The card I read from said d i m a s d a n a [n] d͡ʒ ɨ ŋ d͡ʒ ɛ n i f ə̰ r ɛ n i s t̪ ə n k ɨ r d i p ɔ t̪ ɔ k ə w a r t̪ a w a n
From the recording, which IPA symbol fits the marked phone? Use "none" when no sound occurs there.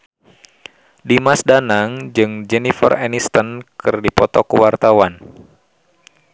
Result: ŋ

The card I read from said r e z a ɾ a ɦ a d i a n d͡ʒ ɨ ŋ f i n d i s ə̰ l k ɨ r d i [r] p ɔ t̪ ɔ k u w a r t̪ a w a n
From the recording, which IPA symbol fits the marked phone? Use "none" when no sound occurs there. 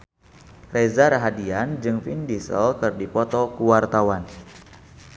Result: none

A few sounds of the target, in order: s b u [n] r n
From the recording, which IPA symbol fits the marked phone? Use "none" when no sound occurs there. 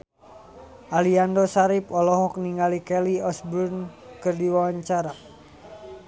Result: none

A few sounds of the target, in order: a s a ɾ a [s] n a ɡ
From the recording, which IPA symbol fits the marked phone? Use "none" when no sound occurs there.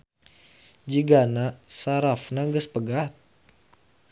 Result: f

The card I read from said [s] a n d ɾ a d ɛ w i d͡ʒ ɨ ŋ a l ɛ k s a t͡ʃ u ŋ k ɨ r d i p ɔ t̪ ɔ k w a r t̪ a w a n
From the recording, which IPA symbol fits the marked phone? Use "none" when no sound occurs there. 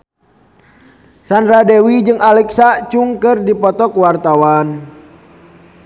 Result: s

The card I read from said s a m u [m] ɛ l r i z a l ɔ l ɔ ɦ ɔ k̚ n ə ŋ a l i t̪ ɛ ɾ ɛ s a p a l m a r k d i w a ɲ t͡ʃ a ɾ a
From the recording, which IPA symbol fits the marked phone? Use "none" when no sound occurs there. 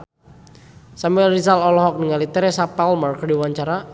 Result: none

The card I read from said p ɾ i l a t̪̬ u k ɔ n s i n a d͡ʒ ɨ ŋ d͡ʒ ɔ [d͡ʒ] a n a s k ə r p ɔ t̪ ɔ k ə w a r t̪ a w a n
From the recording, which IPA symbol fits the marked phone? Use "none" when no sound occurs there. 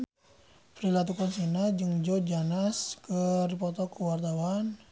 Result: d͡ʒ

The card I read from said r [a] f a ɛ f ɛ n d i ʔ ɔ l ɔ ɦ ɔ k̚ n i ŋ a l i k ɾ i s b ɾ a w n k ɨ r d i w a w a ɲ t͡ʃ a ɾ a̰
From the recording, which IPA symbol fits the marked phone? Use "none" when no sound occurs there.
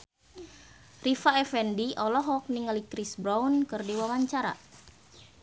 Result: i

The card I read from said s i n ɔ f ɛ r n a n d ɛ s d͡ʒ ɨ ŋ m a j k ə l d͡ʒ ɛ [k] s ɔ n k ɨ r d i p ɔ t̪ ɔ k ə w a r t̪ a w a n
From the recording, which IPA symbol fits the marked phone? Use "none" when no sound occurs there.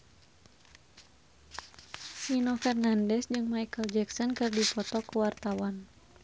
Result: k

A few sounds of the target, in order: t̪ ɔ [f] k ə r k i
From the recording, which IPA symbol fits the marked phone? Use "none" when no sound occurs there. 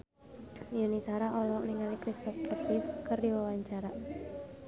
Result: f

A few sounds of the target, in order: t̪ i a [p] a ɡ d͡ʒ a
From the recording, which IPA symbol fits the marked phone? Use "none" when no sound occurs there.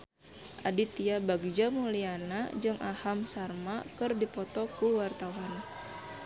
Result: b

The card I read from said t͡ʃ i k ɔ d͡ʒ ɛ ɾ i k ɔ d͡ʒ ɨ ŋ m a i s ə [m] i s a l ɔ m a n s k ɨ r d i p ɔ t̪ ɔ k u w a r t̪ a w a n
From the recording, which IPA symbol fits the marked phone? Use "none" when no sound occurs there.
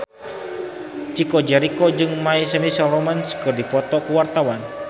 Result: m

